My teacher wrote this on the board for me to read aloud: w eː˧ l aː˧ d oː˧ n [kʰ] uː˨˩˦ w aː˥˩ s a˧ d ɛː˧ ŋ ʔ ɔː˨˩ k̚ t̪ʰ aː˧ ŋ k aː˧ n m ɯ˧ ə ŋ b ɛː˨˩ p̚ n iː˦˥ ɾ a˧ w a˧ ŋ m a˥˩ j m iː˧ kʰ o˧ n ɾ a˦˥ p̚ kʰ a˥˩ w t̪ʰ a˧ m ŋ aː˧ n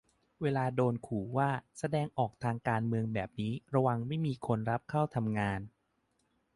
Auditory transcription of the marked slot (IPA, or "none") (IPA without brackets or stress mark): kʰ